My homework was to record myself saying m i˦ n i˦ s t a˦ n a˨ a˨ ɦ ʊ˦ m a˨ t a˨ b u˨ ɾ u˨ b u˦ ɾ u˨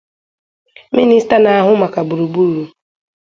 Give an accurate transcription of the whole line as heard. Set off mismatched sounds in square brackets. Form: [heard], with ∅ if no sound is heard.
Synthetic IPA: m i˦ n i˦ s t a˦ n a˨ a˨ ɦ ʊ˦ m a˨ [k] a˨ b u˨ ɾ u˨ b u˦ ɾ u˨

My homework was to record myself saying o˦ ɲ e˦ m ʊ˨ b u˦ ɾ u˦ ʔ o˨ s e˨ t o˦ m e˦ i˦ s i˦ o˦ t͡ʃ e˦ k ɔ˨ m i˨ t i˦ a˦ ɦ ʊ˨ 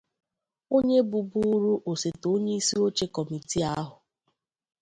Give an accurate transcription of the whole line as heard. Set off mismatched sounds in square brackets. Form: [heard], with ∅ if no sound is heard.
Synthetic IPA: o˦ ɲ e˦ [b] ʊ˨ b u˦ ɾ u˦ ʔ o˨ s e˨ t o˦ [ɲ] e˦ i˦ s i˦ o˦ t͡ʃ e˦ k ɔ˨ m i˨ t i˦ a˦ ɦ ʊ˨

